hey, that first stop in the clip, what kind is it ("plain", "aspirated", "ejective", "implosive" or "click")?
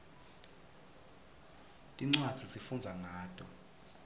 ejective